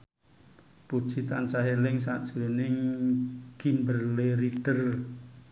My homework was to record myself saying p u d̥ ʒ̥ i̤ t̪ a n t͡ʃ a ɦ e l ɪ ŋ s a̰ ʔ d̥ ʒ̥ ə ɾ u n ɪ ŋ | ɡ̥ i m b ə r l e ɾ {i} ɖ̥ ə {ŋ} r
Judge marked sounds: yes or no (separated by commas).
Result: yes, no